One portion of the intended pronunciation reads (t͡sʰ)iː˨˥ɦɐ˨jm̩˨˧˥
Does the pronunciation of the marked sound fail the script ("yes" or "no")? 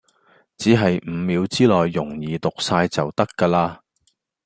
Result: yes